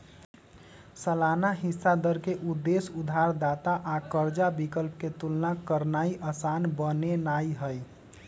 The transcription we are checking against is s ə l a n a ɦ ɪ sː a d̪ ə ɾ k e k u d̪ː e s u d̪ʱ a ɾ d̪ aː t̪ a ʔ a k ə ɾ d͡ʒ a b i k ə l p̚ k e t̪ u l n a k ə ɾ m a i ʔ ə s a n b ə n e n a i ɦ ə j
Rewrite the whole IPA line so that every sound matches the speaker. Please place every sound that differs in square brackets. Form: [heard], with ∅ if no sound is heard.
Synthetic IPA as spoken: s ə l a n a ɦ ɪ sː a d̪ ə ɾ k e [ʔ] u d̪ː e s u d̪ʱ a ɾ d̪ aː t̪ a ʔ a k ə ɾ d͡ʒ a b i k ə l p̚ k e t̪ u l n a k ə ɾ [n] a i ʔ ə s a n b ə n e n a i ɦ ə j

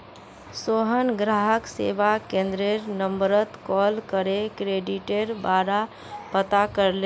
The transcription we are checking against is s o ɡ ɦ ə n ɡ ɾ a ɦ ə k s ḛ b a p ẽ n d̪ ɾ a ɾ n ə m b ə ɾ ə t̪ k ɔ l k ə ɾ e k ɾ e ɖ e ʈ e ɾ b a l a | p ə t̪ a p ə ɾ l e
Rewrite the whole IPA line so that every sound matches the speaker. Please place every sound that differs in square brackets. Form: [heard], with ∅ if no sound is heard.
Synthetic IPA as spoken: s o [∅] ɦ ə n ɡ ɾ a ɦ ə k s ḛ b a [k] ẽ n d̪ ɾ [e] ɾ n ə m b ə ɾ ə t̪ k ɔ l k ə ɾ e k ɾ e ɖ [i] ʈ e ɾ b a [ɾ] a | p ə t̪ a [k] ə ɾ l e

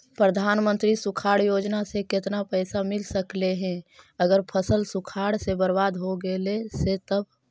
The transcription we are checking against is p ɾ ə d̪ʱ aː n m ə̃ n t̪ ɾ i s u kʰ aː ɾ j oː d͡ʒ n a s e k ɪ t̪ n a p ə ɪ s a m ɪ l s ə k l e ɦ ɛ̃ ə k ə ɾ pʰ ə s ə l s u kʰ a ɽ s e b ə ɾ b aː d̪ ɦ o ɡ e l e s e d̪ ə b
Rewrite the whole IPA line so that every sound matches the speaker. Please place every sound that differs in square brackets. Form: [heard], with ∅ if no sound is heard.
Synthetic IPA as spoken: p ɾ ə d̪ʱ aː n m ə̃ n t̪ ɾ i s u kʰ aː [ɽ] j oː d͡ʒ n a s e k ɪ t̪ n a p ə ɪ s a m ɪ l s ə k l e ɦ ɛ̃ ə [ɡ] ə ɾ pʰ ə s ə l s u kʰ a ɽ s e b ə ɾ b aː d̪ ɦ o ɡ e l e s e [t̪] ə b

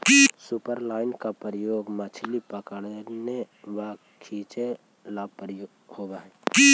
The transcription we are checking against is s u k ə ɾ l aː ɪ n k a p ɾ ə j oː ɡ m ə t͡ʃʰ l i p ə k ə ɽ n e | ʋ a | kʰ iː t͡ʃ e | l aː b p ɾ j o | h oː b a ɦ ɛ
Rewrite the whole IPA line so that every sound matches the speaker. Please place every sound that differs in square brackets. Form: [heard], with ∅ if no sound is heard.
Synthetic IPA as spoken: s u [p] ə ɾ l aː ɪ n k a p ɾ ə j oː ɡ m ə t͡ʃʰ l i p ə k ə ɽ n e | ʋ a | kʰ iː t͡ʃ e | l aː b p ɾ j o | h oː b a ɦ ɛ

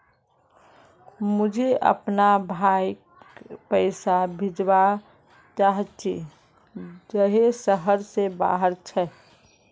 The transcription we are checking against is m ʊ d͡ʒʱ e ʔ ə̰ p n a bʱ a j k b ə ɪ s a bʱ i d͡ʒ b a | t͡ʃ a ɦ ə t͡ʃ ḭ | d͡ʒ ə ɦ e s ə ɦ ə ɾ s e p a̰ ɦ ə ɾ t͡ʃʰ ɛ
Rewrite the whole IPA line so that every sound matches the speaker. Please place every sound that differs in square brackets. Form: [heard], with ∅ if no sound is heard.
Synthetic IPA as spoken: m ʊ d͡ʒʱ e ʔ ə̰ p n a bʱ a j k [p] ə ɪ s a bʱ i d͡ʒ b a | t͡ʃ a ɦ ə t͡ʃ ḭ | d͡ʒ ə ɦ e s ə ɦ ə ɾ s e [b] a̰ ɦ ə ɾ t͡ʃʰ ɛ

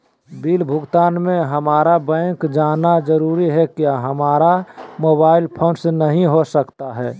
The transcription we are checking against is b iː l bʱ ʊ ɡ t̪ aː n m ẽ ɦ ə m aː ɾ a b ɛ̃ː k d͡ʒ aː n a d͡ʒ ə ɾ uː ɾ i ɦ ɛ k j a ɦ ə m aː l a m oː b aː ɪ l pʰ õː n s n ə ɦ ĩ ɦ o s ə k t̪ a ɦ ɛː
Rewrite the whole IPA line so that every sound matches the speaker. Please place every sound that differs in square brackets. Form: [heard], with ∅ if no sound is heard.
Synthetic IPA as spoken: b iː l bʱ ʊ ɡ t̪ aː n m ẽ ɦ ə m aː ɾ a b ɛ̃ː k d͡ʒ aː n a d͡ʒ ə ɾ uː ɾ i ɦ ɛ k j a ɦ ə m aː [ɾ] a m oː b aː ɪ l pʰ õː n s n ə ɦ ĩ ɦ o s ə k t̪ a ɦ ɛː

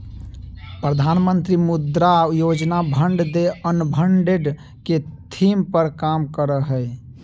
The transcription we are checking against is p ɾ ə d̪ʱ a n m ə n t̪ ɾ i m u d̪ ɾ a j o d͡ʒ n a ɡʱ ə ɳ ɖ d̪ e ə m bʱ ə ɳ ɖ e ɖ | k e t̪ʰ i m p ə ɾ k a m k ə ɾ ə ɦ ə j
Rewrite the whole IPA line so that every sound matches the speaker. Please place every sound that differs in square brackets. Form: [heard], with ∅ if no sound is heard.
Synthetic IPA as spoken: p ɾ ə d̪ʱ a n m ə n t̪ ɾ i m u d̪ ɾ a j o d͡ʒ n a [bʱ] ə ɳ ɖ d̪ e ə [n] bʱ ə ɳ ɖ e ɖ | k e t̪ʰ i m p ə ɾ k a m k ə ɾ ə ɦ ə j

